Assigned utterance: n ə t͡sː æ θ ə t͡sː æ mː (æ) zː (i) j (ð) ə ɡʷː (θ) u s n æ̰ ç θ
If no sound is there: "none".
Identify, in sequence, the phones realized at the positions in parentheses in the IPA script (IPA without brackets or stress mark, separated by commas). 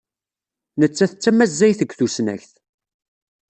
æ, æ, θ, θ